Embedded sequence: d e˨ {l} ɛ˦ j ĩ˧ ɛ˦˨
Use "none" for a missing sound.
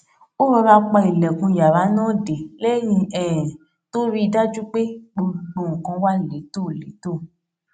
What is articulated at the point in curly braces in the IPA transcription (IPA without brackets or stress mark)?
l